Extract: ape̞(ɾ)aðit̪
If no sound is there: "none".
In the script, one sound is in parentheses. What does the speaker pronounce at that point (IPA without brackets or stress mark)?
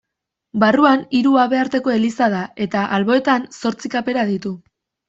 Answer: ɾ